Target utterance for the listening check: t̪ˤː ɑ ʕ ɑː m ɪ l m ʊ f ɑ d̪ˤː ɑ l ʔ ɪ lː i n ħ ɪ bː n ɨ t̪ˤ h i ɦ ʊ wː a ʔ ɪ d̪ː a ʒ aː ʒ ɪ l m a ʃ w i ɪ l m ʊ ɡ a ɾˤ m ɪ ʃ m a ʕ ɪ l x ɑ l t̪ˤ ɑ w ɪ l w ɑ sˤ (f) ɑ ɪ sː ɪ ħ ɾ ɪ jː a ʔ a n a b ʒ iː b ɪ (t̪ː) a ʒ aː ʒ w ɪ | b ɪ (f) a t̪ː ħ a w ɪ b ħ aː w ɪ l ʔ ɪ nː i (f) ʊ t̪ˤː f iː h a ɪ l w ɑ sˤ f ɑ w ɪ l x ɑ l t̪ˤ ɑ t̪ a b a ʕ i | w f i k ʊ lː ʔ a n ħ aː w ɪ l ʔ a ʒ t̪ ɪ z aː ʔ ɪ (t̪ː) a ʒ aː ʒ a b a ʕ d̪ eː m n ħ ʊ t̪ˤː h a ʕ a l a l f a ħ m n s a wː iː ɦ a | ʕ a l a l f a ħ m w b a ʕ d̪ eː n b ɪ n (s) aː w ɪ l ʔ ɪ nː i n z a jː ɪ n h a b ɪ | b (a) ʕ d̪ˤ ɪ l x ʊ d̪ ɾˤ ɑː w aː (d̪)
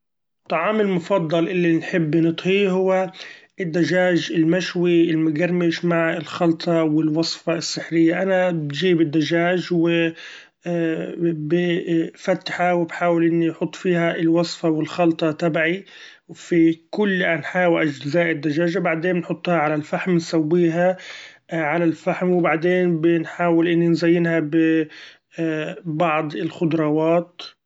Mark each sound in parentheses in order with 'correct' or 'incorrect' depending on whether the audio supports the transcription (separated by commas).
correct, incorrect, correct, incorrect, incorrect, incorrect, incorrect, incorrect